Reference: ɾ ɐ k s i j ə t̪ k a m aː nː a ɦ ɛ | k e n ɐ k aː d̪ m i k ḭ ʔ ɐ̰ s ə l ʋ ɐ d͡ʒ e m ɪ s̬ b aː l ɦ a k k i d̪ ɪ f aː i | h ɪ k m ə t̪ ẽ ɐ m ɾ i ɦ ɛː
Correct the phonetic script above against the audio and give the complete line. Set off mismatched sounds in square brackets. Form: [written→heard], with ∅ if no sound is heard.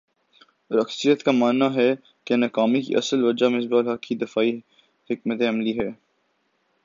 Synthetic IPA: ɾ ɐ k s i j ə t̪ k a m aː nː a ɦ ɛ | k e n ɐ k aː [d̪→∅] m i k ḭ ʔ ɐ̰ s ə l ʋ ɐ d͡ʒ [e→a] m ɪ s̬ b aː l ɦ [a→ɐ] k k i d̪ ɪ f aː i | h ɪ k m ə t̪ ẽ ɐ m [ɾ→l] i ɦ ɛː